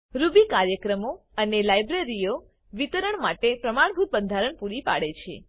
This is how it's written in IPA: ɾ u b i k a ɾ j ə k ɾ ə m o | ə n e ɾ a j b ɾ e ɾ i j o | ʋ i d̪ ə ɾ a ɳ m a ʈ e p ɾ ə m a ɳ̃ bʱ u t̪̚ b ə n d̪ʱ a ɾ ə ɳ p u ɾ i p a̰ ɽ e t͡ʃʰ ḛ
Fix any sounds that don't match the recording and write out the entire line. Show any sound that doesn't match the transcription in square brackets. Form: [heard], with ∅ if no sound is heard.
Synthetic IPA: ɾ u b i k a ɾ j ə k ɾ ə m o | ə n e [l] a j b ɾ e ɾ i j o | ʋ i [t̪] ə ɾ [ə] ɳ m a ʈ e p ɾ ə m a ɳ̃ bʱ u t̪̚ b ə n d̪ʱ a ɾ ə ɳ p u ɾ i p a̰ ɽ e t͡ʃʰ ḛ